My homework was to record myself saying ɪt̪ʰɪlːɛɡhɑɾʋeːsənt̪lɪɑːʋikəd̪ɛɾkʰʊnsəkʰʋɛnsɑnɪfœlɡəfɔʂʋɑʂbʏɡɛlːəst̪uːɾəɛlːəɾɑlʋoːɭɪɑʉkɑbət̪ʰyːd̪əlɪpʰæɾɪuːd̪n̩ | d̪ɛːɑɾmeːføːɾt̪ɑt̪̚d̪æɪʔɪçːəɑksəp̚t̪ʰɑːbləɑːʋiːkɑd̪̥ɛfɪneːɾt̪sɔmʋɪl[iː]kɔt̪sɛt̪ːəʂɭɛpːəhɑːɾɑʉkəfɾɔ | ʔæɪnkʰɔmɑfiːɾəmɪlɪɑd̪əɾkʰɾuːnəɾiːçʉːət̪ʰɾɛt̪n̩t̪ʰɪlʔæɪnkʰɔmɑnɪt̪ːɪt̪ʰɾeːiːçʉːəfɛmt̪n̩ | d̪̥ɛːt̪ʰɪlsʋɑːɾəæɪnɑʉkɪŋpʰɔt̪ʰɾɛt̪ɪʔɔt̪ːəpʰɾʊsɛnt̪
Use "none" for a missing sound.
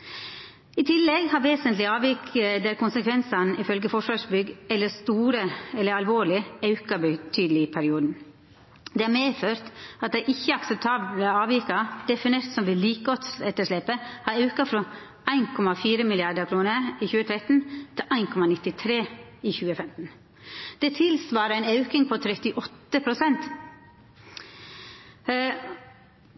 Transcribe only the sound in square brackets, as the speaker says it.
iː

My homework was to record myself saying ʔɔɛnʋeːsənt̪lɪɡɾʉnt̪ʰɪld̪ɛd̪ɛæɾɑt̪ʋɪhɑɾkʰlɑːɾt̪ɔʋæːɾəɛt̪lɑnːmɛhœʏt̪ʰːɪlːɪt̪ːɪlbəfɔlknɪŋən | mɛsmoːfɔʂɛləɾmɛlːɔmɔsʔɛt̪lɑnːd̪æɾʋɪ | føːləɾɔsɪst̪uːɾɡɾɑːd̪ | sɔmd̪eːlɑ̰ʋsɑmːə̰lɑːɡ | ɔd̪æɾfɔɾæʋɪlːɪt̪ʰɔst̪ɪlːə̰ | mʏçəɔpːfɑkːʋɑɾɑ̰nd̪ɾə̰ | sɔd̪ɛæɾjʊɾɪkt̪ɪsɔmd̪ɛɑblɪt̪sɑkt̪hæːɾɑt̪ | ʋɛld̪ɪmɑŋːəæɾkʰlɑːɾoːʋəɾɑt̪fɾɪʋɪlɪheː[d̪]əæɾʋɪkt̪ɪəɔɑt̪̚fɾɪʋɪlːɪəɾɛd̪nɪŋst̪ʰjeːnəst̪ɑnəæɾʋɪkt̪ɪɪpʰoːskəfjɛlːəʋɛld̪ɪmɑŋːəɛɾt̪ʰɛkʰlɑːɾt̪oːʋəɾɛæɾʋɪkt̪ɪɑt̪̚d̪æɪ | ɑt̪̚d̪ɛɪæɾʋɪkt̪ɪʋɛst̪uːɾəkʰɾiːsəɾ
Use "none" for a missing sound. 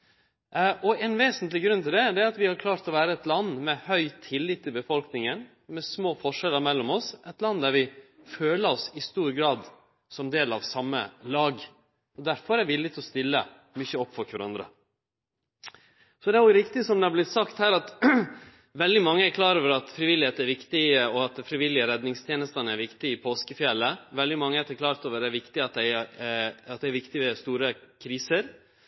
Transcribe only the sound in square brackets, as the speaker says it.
t̪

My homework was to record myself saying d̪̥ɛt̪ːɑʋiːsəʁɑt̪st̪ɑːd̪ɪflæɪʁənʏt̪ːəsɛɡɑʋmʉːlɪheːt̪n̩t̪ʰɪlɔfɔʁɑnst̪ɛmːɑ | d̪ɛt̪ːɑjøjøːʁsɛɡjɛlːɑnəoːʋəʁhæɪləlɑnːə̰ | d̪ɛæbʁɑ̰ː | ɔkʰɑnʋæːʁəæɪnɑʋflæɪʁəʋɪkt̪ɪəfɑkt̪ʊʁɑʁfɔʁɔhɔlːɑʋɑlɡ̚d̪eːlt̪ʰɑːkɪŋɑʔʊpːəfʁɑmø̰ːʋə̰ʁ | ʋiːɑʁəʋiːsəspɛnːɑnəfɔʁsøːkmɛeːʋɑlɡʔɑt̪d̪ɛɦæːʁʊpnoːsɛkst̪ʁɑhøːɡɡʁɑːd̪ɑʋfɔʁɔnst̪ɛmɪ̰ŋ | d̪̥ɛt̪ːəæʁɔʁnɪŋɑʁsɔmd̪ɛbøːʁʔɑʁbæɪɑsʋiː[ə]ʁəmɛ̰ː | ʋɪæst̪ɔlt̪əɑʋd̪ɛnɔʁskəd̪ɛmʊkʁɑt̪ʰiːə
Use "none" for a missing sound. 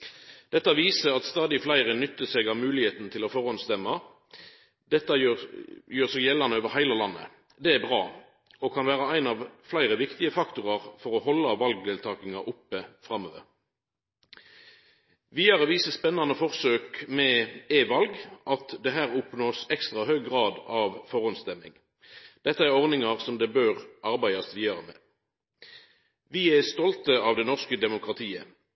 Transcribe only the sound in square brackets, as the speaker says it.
ɑ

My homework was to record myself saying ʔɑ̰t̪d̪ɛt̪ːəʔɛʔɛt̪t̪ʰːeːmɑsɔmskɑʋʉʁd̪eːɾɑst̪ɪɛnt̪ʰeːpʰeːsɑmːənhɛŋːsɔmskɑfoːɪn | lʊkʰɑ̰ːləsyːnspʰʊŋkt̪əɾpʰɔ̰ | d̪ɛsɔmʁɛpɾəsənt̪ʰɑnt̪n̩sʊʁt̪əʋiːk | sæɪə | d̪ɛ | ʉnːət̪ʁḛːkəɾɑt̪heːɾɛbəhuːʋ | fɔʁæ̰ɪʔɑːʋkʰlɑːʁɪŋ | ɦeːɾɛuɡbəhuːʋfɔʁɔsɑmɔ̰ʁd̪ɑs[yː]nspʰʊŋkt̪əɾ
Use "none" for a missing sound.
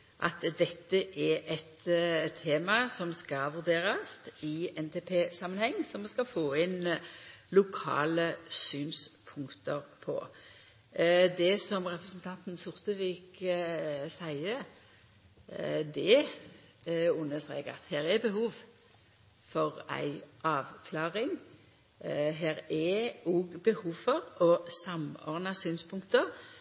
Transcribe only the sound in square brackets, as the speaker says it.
yː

